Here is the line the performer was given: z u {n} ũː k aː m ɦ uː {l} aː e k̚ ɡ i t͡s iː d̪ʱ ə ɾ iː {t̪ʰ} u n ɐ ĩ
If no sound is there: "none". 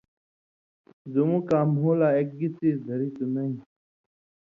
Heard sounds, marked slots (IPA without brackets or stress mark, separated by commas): m, l, t̪